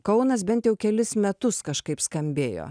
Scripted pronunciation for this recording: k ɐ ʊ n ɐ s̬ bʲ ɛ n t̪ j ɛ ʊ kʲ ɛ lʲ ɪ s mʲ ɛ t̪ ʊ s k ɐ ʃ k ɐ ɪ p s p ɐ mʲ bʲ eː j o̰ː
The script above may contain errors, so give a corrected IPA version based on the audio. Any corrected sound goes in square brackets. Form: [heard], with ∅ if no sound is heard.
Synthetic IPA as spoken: k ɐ ʊ n ɐ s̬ bʲ ɛ n t̪ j ɛ ʊ kʲ ɛ lʲ ɪ s mʲ ɛ t̪ ʊ s k ɐ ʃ k ɐ ɪ p s [k] ɐ mʲ bʲ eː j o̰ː